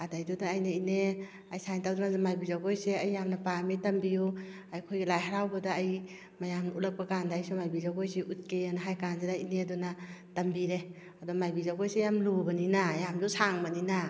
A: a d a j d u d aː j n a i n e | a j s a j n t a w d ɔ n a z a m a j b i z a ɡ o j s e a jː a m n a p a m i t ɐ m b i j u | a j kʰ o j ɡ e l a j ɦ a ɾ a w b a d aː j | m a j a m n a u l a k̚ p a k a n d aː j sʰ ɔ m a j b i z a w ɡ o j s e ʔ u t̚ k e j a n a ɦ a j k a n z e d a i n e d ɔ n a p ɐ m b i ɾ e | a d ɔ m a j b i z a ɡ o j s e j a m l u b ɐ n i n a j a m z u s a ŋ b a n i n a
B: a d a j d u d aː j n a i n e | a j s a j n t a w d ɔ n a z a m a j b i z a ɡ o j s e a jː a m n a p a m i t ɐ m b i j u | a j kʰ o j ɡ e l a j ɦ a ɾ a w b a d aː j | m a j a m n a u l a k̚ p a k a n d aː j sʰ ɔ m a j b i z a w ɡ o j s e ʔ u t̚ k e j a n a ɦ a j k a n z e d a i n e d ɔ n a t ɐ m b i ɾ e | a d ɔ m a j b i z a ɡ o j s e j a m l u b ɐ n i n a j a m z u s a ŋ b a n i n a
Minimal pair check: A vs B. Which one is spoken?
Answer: B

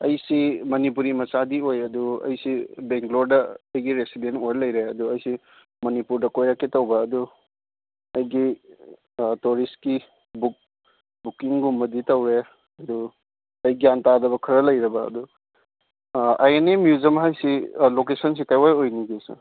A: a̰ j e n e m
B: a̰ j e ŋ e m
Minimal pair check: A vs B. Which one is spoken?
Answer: A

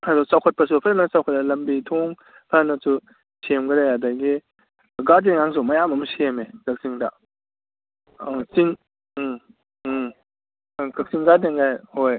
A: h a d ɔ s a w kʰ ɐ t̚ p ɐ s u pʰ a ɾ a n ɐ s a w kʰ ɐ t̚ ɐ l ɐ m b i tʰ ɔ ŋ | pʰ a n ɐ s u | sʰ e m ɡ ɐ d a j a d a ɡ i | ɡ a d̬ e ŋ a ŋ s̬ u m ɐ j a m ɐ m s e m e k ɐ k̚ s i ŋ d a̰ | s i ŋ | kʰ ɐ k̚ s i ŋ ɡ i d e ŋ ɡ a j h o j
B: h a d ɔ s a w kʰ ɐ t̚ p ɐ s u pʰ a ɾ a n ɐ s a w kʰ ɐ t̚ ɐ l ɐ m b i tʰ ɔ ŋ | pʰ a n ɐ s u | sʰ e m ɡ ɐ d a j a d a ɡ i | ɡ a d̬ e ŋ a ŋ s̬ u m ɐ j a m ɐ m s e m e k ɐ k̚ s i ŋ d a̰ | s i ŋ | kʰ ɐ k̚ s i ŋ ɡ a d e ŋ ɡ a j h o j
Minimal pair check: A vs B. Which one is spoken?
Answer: B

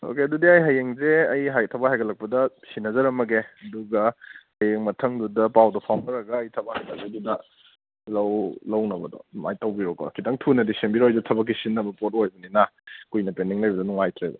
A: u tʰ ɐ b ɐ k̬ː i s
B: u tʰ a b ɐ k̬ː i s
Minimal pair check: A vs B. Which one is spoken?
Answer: A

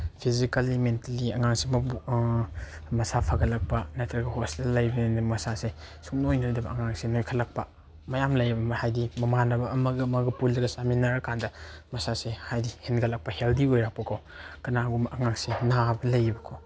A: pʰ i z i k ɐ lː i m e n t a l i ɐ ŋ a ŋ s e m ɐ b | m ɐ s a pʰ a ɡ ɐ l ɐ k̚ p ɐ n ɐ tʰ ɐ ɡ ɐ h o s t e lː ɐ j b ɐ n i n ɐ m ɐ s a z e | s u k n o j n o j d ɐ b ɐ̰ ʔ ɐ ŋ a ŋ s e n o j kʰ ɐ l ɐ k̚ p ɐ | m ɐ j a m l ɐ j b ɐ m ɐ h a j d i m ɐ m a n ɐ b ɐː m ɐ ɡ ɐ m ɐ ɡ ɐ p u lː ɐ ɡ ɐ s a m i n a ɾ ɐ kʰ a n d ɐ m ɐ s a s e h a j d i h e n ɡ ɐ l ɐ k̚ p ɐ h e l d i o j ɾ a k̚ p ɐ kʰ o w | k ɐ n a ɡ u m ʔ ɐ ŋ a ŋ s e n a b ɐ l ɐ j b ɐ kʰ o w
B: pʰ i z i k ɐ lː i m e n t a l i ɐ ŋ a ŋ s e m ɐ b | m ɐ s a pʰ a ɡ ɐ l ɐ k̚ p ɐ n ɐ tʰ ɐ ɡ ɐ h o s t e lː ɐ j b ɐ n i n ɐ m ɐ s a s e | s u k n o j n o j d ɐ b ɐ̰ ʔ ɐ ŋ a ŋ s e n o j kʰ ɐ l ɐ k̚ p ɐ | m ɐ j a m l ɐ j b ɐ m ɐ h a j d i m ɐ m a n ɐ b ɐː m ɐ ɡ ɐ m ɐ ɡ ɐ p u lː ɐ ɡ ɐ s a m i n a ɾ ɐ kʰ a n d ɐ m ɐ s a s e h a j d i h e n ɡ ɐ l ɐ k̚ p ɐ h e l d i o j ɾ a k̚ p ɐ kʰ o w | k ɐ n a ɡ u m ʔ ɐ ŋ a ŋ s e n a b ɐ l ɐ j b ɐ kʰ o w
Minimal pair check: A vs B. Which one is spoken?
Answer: B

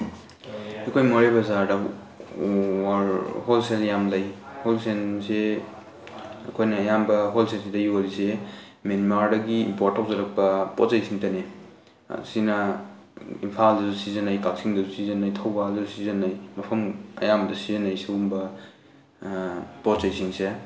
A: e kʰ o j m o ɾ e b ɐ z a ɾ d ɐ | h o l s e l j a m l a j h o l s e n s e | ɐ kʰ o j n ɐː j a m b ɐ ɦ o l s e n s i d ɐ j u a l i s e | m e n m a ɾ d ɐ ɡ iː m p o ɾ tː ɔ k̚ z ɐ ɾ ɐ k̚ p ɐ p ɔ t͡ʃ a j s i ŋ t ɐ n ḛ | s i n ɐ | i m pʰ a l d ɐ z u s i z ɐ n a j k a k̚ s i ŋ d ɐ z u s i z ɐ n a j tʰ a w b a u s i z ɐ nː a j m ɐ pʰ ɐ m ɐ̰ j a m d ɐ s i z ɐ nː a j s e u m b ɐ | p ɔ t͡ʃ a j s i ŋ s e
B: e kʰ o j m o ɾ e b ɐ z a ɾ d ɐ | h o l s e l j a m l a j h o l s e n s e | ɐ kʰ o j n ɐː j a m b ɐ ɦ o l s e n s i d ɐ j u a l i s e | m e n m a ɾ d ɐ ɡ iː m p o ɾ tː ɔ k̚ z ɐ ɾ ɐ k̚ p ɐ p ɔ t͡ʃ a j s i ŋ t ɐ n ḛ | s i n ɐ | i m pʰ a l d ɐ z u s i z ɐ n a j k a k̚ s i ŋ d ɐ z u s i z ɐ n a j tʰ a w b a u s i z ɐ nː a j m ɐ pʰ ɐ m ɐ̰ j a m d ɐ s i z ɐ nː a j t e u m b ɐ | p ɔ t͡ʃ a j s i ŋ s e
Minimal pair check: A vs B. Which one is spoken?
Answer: A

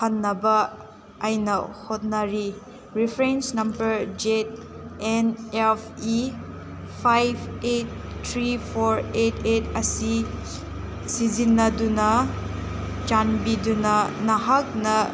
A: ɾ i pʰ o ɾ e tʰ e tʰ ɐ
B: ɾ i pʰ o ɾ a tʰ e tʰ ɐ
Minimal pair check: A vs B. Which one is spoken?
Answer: A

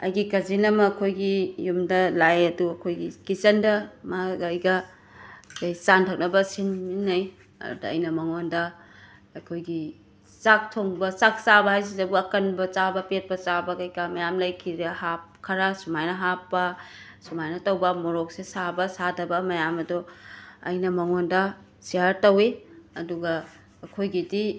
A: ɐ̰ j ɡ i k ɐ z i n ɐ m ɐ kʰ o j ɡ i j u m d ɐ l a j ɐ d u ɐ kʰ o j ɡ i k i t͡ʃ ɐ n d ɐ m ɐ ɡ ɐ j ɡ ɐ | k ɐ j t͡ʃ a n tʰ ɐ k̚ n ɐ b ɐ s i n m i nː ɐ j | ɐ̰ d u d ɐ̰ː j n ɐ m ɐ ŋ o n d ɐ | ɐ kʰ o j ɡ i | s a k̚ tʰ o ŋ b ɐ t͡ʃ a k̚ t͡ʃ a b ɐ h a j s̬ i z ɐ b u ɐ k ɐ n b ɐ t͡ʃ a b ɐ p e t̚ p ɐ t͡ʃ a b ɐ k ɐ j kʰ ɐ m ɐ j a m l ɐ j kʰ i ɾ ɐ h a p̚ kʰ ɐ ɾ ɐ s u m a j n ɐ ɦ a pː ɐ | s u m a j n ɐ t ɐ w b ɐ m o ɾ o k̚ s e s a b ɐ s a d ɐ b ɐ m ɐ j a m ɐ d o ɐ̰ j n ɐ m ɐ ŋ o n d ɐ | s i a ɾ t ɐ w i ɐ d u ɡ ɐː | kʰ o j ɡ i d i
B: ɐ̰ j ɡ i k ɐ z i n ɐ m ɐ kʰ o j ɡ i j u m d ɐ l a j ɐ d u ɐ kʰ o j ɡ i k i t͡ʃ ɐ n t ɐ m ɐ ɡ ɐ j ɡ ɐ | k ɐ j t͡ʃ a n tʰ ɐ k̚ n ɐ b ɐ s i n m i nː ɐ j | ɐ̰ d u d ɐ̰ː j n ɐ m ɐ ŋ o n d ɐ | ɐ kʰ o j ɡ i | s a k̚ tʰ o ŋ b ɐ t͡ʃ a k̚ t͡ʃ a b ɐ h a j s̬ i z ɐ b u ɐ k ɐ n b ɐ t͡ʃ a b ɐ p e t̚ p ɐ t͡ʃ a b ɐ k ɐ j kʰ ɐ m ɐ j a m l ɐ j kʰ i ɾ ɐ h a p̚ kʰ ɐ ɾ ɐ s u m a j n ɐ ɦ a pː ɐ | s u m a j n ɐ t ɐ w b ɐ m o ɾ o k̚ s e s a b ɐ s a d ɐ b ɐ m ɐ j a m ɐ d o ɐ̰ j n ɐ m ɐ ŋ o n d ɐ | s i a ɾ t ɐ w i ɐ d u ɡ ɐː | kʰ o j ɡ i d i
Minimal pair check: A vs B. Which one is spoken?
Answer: A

